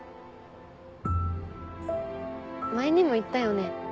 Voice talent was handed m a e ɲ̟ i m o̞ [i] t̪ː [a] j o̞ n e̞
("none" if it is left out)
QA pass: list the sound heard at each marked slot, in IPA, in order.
i, a

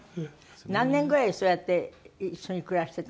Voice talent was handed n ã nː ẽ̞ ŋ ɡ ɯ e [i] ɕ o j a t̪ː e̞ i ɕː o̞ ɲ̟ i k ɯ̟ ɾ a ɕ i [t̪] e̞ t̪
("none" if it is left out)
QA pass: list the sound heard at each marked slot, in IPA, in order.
i, t̪

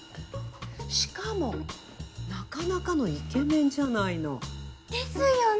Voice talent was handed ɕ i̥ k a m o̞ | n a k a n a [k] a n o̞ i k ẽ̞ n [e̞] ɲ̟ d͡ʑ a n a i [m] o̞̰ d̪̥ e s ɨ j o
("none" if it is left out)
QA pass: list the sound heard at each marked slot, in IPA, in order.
k, ẽ̞, n

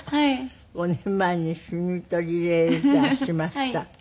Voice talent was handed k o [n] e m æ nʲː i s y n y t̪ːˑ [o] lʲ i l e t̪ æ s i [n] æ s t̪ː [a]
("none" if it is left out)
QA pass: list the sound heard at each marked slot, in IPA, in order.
n, o, m, æ

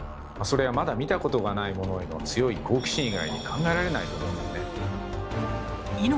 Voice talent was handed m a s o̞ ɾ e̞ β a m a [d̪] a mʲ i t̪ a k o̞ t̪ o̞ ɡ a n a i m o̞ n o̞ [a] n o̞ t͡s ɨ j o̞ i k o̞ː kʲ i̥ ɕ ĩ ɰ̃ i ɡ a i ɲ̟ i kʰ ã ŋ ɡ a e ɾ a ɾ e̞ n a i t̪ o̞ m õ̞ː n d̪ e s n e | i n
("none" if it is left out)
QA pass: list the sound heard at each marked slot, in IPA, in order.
d̪, e

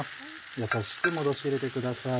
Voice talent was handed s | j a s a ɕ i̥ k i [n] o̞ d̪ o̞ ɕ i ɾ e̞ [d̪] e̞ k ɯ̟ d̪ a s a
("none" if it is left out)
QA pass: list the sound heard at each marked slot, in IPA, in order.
m, t̪

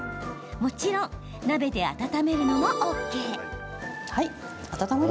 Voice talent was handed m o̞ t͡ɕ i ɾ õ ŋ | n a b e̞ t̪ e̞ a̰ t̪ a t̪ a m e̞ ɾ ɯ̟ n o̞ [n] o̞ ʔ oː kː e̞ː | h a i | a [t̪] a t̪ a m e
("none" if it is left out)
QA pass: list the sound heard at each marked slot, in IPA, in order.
m, t̪

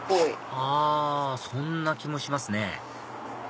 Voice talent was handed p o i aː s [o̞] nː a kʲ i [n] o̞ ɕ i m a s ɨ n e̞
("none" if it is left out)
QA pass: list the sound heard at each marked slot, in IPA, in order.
õ̞, m

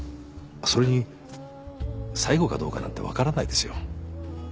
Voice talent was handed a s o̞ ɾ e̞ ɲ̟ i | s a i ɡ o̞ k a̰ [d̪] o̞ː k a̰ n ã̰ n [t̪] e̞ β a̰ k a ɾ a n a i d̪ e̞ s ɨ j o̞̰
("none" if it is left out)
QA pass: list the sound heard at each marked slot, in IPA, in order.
d̪, t̪

